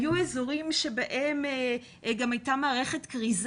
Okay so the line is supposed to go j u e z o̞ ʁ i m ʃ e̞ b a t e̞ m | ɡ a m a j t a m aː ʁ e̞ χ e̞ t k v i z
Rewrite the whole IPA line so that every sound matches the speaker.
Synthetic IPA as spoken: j u e z o̞ ʁ i m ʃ e̞ b a ʔ e̞ m | ɡ a m a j t a m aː ʁ e̞ χ e̞ t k ʁ i z

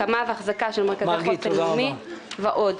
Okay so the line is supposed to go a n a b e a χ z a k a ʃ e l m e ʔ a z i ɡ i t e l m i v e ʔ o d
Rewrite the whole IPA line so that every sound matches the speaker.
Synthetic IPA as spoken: a m a v e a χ z a k a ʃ e l m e k a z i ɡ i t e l m i v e ʔ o d

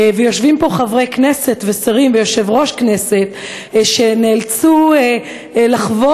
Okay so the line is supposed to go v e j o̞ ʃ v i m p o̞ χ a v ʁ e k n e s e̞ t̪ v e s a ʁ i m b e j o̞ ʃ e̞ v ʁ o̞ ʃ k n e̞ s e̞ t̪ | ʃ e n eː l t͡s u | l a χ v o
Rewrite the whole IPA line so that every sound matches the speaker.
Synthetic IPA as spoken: v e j o̞ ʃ v i m p o̞ χ a v ʁ e k n e s e̞ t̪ v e s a ʁ i m v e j o̞ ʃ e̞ v ʁ o̞ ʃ k n e̞ s e̞ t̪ | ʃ e n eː l t͡s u | l a χ v o

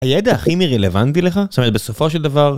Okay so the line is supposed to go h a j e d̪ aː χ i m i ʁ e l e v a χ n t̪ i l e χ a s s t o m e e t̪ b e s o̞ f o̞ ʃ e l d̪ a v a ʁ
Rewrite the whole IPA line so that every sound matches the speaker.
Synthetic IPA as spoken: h a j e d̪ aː χ i m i ʁ e l e v a n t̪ i l e χ a s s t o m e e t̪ b e s o̞ f o̞ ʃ e l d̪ a v a ʁ

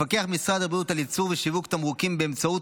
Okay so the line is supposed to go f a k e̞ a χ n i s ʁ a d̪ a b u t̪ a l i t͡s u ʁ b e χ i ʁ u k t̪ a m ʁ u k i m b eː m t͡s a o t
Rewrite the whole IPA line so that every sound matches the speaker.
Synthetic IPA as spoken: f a k e̞ a χ m i s ʁ a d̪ a b u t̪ a l i t͡s u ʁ v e ʃ i v u k t̪ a m ʁ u k i m b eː m t͡s a u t

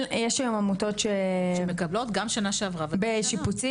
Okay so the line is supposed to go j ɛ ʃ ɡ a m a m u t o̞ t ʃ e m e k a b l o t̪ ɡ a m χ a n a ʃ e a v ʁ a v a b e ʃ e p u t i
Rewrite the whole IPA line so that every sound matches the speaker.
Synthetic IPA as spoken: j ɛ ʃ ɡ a m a m u t o̞ t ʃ e m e k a b l o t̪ ɡ a m ʃ a n a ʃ e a v ʁ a v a b e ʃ i p u t͡s i

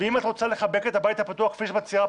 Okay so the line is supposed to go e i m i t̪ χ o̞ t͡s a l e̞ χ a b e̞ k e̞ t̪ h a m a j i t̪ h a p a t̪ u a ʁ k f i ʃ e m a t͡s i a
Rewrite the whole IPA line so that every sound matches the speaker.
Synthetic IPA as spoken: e i m a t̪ ʁ o̞ t͡s a l e̞ χ a b e̞ k e̞ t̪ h a b a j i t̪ h a p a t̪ u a χ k f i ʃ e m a t͡s i a

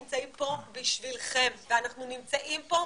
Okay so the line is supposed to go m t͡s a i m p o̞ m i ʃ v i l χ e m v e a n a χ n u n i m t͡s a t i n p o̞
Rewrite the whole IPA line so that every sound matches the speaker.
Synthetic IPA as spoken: m t͡s a i m p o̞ b i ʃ v i l χ e m v e a n a χ n u n i m t͡s a ʔ i m p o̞

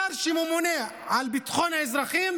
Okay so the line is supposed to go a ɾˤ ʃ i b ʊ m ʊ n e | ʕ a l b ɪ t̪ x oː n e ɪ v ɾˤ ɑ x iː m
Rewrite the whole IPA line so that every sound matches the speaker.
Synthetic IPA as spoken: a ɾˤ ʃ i m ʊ m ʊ n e | ʕ a l b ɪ t̪ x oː n a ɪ z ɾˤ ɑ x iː m

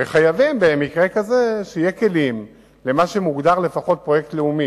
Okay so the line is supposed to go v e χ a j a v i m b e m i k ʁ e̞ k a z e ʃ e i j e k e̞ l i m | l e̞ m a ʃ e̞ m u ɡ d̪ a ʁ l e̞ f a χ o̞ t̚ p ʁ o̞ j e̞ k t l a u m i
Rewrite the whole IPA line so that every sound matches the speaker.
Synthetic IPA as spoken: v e χ a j a v i m b e m i k ʁ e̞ k a z e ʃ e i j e k e̞ l i m | l e̞ m a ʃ e̞ m u ɡ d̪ a ʁ l e̞ f a χ o̞ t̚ p ʁ o̞ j e̞ k t l e u m i

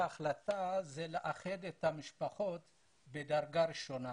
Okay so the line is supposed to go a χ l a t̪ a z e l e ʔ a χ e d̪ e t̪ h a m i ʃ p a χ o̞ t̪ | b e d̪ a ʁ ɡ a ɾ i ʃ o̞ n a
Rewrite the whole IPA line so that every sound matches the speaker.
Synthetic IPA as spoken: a χ l a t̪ a z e l e ʔ a χ e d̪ e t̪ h a m i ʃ p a χ o̞ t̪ | b e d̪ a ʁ ɡ a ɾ i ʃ o̞ n a

